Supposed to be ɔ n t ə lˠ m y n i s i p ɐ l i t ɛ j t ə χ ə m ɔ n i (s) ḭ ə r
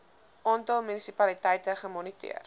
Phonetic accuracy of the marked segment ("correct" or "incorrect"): incorrect